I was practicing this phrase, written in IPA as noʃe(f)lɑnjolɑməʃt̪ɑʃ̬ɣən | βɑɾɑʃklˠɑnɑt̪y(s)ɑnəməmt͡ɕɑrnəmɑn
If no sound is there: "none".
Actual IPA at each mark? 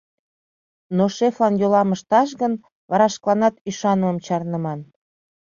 f, ʃ

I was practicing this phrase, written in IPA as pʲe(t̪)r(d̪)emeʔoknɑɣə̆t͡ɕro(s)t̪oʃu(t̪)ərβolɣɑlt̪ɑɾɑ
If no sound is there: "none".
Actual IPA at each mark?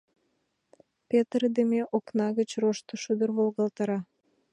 t̪, d̪, ʃ, d̪

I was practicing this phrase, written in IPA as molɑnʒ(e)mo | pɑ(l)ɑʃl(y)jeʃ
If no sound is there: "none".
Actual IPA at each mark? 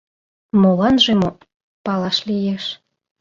e, l, i

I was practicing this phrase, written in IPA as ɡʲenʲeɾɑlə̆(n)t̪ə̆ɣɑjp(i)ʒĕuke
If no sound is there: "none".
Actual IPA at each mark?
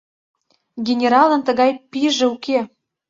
n, i

